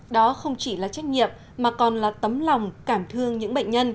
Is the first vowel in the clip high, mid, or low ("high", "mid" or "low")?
mid